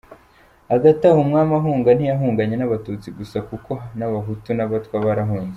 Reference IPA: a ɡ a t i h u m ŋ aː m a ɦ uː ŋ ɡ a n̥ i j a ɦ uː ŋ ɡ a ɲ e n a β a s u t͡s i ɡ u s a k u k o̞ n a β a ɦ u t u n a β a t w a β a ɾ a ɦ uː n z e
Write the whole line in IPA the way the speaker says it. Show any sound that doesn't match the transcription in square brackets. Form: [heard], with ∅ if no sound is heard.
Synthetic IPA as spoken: a ɡ a t [a] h u m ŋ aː m a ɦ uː ŋ ɡ a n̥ i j a ɦ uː ŋ ɡ a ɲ e n a β a [t] u t͡s i ɡ u s a k u k o̞ n a β a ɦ u t u n a β a t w a β a ɾ a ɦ uː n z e